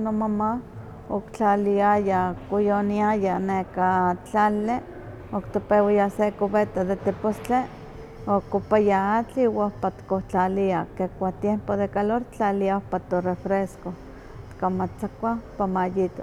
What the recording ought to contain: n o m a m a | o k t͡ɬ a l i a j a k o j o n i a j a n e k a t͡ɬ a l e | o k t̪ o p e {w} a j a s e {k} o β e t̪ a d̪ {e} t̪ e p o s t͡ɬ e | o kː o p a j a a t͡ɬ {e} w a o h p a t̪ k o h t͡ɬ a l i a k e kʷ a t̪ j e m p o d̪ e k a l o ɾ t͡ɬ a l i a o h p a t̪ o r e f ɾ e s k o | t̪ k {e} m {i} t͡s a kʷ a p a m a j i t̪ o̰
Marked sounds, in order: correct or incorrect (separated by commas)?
correct, correct, correct, incorrect, incorrect, incorrect